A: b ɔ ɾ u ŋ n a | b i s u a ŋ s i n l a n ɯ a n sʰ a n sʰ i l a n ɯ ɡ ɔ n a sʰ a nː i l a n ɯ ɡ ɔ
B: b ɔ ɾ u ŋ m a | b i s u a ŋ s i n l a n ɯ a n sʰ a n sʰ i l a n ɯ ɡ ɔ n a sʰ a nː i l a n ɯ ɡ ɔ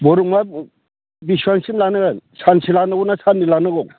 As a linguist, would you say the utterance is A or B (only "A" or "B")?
B